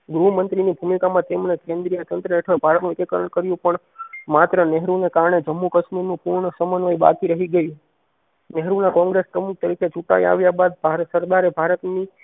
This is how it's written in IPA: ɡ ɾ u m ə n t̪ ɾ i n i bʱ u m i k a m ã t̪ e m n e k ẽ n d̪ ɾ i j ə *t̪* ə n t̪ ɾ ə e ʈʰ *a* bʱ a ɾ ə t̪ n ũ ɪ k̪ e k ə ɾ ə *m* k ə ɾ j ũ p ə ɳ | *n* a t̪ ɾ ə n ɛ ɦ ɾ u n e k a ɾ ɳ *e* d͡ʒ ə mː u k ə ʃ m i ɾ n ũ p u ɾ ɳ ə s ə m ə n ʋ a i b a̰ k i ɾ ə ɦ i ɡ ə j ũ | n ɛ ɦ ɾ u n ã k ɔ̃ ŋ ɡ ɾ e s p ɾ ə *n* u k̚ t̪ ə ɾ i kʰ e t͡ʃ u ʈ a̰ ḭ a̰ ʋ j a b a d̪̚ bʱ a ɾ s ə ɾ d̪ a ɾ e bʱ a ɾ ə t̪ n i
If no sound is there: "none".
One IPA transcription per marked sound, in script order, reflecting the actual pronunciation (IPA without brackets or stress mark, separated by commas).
t̪, ə, ɳ, m, e, m